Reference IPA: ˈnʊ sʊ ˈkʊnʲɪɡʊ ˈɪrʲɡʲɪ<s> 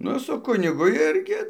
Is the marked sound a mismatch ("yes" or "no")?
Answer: yes